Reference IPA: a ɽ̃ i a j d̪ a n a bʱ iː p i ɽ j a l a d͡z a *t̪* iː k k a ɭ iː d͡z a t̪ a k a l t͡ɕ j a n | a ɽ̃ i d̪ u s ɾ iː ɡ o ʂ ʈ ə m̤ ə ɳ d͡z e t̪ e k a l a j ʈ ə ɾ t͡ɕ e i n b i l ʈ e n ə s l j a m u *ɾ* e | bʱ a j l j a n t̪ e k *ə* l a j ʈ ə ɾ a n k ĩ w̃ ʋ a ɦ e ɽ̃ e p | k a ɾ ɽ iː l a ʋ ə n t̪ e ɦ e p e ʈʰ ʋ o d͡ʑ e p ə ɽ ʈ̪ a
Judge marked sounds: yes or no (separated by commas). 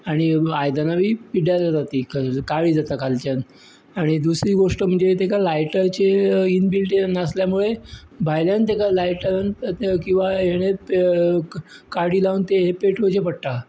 yes, no, no